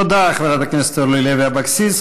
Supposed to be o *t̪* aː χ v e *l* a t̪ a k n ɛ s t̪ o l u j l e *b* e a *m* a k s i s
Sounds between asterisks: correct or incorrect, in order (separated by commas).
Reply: incorrect, incorrect, incorrect, incorrect